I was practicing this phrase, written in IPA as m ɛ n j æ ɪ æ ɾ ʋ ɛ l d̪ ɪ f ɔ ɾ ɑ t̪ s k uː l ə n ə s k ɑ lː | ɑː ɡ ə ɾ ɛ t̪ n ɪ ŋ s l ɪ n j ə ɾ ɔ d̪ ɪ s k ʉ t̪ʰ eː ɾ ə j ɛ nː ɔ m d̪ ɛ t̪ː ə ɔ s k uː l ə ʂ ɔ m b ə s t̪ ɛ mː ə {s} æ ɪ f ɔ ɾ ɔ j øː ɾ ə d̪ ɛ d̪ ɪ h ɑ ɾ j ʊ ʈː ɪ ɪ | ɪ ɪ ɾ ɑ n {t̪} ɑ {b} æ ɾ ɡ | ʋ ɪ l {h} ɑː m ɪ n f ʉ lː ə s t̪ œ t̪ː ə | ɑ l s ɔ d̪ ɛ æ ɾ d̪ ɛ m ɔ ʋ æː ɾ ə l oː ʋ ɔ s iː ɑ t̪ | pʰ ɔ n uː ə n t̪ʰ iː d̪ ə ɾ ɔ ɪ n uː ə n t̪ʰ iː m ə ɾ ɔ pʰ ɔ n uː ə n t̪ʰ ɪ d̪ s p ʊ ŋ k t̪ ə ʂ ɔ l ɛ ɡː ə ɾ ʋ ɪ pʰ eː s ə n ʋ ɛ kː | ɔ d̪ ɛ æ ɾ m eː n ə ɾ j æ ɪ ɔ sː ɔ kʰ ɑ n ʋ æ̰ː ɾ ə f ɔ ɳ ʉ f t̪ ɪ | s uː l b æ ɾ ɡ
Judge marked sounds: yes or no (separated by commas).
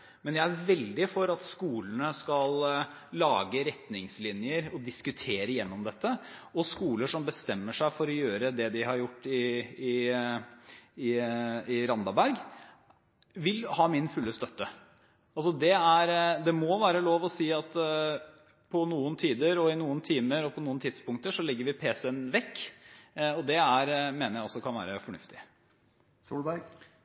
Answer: no, no, yes, yes